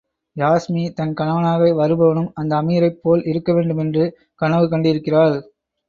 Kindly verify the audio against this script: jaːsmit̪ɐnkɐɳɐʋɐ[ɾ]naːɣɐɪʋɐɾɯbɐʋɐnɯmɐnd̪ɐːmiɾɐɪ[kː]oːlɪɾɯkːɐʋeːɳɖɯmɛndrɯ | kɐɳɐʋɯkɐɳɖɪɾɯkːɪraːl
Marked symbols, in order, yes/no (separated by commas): no, no